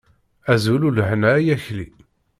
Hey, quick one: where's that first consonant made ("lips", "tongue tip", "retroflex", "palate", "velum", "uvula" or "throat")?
tongue tip